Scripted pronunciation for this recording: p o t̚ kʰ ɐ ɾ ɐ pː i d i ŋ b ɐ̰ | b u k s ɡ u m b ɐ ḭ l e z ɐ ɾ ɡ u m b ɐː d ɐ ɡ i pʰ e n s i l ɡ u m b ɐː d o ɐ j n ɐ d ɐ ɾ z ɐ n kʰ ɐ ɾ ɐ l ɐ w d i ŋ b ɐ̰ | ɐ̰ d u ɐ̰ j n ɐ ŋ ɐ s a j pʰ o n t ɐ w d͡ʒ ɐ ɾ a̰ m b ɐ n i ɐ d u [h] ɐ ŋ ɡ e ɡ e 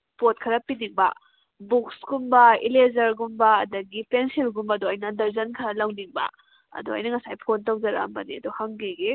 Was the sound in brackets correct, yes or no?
yes